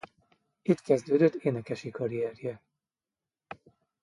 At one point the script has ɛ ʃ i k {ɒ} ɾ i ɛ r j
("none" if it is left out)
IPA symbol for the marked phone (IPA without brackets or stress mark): ɒ